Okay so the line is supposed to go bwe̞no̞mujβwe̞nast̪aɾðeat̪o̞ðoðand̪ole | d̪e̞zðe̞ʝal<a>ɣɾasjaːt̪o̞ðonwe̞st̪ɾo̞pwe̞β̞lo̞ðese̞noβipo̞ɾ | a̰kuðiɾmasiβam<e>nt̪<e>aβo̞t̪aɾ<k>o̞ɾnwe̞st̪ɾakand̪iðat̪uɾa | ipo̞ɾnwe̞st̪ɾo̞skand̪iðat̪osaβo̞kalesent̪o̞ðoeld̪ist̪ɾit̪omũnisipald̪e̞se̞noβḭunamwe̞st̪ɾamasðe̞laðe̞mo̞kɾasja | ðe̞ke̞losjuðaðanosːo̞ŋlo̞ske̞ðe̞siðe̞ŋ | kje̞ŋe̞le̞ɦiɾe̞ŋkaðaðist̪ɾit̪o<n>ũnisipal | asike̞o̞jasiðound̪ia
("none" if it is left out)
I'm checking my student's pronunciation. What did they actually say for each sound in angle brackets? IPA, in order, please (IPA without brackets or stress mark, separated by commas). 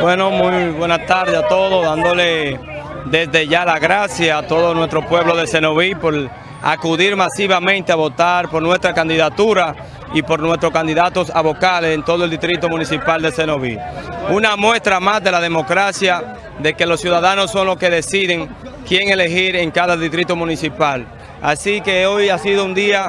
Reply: a, ẽ, e, p, m